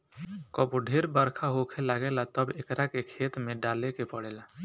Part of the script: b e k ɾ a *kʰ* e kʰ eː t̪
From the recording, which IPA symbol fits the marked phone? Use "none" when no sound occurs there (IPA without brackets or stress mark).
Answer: k